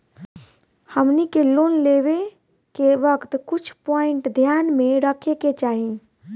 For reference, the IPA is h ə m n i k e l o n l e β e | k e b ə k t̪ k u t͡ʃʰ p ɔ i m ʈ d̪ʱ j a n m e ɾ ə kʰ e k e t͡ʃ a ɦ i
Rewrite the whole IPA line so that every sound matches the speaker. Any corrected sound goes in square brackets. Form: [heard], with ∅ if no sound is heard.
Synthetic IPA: h ə m n i k e l o n l e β e | k e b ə k t̪ k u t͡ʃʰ p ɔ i [ɳ] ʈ d̪ʱ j a n m e ɾ ə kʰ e k e t͡ʃ a ɦ i